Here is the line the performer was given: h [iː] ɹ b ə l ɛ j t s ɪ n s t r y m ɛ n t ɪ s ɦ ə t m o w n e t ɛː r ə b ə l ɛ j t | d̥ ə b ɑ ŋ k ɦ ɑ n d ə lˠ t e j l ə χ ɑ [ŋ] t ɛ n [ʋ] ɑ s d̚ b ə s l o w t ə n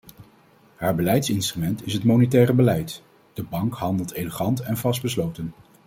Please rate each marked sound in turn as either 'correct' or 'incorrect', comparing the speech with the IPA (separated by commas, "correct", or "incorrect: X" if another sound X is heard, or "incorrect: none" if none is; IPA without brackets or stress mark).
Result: incorrect: aː, incorrect: n, incorrect: v